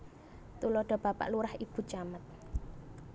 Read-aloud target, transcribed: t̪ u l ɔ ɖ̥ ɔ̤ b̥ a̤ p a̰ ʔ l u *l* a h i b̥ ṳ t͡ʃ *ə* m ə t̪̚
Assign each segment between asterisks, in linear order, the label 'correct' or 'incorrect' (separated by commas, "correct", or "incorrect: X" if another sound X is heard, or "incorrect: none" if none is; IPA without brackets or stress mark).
incorrect: ɾ, incorrect: a